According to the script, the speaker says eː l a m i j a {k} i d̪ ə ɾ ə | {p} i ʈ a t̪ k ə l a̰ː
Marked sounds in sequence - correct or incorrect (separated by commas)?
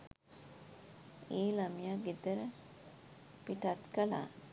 incorrect, correct